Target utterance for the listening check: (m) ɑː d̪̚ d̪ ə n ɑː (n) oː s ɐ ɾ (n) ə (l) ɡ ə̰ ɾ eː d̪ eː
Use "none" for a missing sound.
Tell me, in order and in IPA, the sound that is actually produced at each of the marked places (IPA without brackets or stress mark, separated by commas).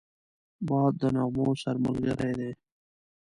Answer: b, m, m, l